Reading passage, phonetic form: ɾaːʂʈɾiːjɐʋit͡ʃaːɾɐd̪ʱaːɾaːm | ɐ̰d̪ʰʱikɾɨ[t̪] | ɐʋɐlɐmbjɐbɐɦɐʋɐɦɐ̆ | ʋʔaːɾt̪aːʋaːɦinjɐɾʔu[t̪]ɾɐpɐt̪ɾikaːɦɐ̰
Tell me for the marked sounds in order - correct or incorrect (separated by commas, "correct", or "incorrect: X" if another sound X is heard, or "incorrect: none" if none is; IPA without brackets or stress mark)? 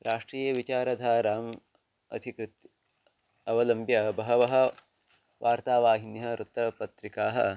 correct, correct